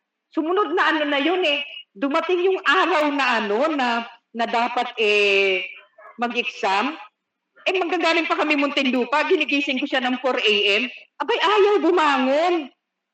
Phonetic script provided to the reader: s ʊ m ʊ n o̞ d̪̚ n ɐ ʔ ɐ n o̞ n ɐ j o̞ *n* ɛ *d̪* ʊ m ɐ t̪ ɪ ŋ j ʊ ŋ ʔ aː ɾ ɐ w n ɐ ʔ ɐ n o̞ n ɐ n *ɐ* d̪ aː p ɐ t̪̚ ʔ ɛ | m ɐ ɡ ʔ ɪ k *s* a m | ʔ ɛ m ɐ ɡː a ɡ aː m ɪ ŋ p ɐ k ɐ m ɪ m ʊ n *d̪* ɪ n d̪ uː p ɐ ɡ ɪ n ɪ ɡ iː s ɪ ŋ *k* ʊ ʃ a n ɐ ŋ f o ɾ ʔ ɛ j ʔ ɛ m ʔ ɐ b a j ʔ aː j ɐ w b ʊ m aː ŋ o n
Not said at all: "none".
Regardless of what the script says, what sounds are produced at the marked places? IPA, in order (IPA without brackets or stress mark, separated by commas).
n, d̪, ɐ, s, t̪, k